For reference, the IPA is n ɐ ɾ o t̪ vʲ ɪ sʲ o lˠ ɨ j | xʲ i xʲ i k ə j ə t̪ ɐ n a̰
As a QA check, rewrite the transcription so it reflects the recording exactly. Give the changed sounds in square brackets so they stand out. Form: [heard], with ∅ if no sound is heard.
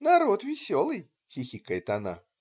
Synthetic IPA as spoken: n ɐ ɾ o t̪ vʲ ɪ sʲ o lˠ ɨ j | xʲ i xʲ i k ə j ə t̪ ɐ n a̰